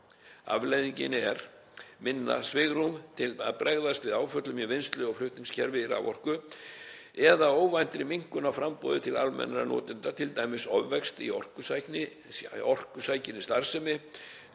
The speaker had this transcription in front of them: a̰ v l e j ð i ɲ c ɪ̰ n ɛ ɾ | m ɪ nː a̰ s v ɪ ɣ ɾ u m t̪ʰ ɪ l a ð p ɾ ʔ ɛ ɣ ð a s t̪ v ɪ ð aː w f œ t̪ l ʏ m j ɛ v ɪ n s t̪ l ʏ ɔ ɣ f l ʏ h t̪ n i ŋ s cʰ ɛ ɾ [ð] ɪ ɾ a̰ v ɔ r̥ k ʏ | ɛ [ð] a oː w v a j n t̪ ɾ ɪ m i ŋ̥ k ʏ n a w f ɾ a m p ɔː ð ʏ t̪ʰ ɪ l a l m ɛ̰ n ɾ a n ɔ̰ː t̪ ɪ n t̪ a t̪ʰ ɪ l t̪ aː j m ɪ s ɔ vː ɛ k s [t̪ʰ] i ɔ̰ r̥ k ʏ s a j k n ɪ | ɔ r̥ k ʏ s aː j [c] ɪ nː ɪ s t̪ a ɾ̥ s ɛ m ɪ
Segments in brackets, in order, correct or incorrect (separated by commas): incorrect, correct, incorrect, correct